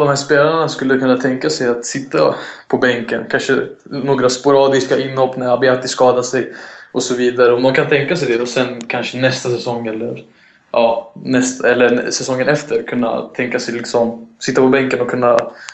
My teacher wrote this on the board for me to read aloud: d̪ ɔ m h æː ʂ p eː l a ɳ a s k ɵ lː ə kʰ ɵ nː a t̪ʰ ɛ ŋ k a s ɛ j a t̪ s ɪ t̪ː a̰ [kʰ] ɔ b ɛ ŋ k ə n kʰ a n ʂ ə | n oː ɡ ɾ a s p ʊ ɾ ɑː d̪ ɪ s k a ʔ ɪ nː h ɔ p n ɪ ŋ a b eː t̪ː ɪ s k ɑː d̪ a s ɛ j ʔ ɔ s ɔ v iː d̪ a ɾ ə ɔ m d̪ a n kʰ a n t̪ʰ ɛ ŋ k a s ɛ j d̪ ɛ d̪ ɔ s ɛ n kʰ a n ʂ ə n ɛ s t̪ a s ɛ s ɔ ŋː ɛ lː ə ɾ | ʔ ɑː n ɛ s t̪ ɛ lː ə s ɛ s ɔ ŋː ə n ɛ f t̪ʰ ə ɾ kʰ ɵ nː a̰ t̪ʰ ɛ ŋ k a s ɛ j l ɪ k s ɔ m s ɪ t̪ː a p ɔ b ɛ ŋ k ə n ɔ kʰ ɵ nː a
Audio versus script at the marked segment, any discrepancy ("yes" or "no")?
yes